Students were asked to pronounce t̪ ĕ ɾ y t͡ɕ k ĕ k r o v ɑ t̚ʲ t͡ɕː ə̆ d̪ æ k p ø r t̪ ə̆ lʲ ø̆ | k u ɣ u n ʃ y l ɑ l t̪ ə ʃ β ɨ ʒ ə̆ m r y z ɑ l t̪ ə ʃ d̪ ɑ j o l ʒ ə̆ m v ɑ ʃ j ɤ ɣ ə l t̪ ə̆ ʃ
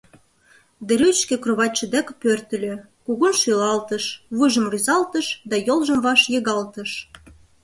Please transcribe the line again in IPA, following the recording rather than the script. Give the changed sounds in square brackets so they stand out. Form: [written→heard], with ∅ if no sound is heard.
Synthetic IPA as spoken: [t̪→d̪] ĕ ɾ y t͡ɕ k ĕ k r o [v→β] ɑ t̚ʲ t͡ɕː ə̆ d̪ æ k p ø r t̪ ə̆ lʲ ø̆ | k u ɣ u n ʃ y l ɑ l t̪ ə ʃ β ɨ ʒ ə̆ m r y z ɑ l t̪ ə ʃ d̪ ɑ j o l ʒ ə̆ m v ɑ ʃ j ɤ ɣ [ə→ɑ] l t̪ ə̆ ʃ